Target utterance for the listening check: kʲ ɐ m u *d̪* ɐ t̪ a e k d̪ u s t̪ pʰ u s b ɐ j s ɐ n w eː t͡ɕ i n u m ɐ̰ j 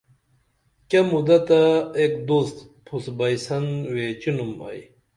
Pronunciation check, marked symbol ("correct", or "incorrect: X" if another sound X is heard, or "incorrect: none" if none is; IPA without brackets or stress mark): correct